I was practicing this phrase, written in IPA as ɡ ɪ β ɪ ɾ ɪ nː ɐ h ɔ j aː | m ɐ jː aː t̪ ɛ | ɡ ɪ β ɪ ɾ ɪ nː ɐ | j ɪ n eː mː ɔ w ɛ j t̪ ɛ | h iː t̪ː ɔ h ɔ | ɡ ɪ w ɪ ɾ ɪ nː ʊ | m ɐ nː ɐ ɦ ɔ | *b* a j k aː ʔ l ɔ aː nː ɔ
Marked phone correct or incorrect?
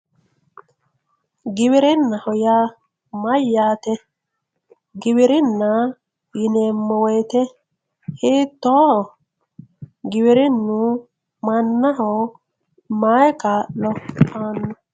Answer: incorrect: m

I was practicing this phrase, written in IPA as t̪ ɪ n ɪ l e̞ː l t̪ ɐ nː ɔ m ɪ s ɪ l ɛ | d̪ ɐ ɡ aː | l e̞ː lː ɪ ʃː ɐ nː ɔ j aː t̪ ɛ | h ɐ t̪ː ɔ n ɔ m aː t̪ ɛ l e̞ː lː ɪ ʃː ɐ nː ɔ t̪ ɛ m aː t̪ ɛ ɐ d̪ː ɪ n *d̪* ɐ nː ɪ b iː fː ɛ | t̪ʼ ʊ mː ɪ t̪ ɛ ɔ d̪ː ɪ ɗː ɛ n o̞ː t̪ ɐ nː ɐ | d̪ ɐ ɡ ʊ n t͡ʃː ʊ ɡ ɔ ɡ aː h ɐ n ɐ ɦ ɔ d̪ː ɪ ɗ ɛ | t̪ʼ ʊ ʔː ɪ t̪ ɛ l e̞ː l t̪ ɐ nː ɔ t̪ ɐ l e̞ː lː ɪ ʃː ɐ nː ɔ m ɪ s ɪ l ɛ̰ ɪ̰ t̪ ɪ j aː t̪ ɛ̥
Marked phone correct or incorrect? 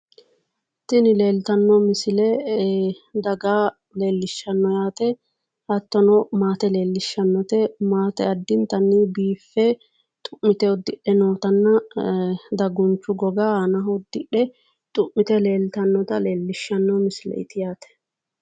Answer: incorrect: t̪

